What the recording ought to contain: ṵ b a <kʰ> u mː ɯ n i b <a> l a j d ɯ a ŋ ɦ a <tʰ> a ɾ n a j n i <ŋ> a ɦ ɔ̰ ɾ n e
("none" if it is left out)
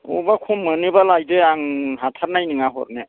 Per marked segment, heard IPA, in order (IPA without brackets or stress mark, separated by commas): kʰ, a, tʰ, ŋ